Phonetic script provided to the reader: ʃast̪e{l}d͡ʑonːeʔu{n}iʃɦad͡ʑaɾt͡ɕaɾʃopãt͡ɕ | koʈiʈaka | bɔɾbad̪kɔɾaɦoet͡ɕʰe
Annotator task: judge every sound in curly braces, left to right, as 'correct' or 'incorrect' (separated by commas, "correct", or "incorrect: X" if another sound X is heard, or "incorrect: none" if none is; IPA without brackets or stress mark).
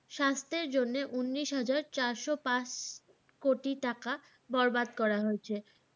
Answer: incorrect: ɾ, incorrect: nː